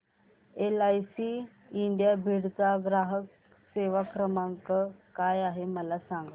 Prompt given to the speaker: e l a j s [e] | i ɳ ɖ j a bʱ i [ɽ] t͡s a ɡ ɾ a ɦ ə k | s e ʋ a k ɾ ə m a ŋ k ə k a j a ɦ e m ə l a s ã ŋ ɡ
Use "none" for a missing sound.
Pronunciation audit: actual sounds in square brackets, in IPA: i, ɽ

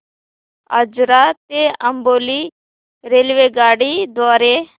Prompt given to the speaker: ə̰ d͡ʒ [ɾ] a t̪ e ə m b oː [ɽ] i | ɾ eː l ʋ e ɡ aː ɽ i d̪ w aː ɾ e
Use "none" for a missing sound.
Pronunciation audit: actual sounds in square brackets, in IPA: ɾ, l

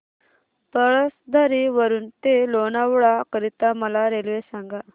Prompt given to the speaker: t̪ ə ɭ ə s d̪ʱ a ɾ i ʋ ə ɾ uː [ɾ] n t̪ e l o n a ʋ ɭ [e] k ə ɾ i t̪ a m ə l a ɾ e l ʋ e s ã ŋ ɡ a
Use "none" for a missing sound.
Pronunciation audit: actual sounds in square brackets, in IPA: none, a

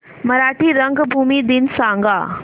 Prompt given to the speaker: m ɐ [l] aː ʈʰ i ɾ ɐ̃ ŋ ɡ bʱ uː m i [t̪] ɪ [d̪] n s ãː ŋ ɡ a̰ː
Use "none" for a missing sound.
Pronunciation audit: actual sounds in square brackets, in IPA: ɾ, d̪, none

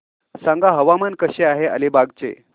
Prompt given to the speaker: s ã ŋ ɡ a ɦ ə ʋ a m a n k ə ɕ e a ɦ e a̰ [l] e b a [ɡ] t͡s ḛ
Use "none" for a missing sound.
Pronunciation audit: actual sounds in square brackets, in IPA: l, ɡ

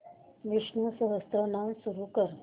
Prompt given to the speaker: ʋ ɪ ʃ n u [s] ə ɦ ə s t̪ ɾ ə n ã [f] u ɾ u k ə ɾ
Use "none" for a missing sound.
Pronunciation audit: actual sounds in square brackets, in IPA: s, s

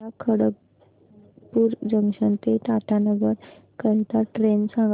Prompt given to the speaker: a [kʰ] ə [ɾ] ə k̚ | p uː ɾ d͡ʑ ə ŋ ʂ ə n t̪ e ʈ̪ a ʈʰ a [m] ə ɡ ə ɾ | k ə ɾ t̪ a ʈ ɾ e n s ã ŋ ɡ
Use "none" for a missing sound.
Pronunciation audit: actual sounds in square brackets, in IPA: kʰ, ɽ, n

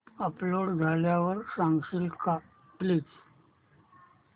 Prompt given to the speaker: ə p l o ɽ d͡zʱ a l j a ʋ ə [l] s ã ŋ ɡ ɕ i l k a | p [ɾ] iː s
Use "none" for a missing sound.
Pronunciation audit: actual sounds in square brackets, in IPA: ɾ, l

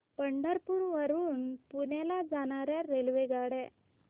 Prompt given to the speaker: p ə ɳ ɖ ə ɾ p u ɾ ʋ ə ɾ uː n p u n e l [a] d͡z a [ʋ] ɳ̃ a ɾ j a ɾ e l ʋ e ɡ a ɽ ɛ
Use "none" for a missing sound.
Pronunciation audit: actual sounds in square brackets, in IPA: a, none

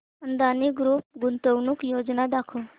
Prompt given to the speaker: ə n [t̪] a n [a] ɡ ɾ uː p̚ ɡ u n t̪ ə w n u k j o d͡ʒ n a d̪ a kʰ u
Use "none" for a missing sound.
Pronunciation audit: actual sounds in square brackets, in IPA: d̪, i

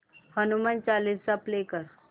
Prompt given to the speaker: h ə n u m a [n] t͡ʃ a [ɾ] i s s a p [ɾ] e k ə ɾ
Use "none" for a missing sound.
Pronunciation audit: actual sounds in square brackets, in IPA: n, l, l

